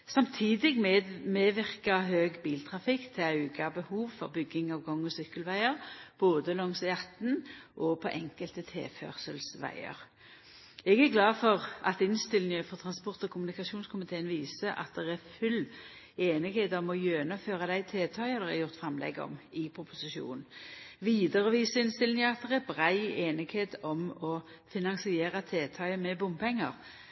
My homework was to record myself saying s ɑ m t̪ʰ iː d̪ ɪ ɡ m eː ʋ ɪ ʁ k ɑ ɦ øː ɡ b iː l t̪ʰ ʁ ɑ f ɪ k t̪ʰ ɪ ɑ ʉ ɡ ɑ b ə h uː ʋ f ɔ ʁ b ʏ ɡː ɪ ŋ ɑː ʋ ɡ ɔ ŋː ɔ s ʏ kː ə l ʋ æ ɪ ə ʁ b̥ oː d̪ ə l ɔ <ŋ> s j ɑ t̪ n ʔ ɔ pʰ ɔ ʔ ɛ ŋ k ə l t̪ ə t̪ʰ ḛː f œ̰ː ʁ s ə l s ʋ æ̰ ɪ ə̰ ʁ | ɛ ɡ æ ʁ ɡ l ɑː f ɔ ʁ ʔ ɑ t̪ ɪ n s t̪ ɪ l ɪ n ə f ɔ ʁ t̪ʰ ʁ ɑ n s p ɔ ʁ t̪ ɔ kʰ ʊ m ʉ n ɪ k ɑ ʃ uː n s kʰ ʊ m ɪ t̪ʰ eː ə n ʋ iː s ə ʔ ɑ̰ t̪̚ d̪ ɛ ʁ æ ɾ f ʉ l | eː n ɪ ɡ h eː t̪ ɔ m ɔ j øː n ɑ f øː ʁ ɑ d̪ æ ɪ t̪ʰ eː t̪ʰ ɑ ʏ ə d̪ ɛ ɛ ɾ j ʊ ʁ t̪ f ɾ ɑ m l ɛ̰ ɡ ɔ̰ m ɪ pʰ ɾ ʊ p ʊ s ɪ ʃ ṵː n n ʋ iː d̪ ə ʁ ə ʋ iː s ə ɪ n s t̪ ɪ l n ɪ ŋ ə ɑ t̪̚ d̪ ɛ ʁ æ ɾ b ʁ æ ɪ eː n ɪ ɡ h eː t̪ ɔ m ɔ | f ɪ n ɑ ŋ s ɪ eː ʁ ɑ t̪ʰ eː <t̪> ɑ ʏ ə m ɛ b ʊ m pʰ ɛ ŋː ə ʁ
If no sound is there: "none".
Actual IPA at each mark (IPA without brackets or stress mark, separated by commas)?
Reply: ŋ, t̪ʰ